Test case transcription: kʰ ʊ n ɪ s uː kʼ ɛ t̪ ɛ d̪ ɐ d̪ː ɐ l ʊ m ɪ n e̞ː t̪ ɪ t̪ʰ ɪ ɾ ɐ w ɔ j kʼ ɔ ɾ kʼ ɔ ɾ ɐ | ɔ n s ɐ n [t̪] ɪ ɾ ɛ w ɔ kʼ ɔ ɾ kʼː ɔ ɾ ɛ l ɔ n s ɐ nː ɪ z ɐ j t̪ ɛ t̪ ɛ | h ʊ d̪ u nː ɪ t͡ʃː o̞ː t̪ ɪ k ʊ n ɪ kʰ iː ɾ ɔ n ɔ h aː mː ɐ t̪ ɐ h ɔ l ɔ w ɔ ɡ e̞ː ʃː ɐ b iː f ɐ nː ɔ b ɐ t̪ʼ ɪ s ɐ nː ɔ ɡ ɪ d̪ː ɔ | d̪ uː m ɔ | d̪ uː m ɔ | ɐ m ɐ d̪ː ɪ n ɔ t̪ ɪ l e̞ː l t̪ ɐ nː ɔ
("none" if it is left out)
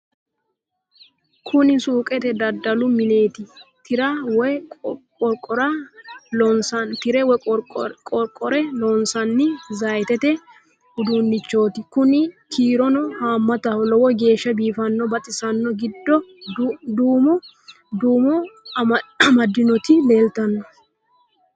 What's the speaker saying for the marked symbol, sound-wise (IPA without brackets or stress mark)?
t̪